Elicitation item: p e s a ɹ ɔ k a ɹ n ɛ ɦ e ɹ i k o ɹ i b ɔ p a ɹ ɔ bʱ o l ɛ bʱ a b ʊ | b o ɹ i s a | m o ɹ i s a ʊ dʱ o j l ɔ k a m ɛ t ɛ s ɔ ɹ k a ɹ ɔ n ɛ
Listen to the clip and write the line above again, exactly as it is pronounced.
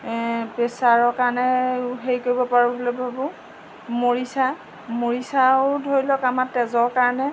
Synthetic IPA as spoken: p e s a ɹ ɔ k a ɹ n ɛ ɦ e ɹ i k o ɹ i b ɔ p a ɹ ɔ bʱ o l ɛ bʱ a b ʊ | m o ɹ i s a | m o ɹ i s a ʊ dʱ o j l ɔ k a m a t ɛ z ɔ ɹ k a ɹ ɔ n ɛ